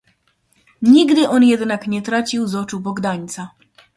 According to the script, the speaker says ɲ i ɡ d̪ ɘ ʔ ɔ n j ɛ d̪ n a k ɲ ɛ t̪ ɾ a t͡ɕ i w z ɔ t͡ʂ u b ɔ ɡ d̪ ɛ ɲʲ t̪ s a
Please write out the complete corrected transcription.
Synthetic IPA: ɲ i ɡ d̪ ɘ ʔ ɔ n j ɛ d̪ n a k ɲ ɛ t̪ ɾ a t͡ɕ i w z ɔ t͡ʂ u b ɔ ɡ d̪ a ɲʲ t̪ s a